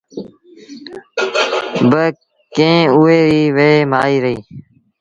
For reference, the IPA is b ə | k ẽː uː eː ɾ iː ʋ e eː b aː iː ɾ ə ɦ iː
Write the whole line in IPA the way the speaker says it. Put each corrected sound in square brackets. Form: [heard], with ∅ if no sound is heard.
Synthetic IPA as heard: b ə | k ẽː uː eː ɾ iː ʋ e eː [m] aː iː ɾ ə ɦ iː